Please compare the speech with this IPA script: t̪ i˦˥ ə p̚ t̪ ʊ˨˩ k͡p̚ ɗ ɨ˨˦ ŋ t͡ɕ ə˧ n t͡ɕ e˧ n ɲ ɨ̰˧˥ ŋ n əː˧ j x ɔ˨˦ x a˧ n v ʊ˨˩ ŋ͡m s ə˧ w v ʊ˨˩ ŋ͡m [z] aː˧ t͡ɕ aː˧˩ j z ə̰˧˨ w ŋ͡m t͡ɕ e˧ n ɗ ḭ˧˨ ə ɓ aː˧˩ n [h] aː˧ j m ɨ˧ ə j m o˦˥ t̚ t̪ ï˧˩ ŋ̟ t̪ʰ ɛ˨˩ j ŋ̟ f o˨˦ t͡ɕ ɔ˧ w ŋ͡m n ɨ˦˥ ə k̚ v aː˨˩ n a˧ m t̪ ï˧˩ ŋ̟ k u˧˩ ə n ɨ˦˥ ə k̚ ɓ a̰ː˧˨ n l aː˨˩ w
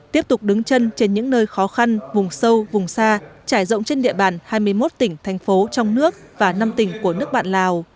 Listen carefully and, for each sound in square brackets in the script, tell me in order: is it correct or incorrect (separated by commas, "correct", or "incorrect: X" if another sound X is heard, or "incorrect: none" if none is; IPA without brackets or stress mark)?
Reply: incorrect: s, correct